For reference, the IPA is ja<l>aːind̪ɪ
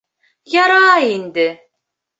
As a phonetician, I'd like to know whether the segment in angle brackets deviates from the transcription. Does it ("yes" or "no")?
yes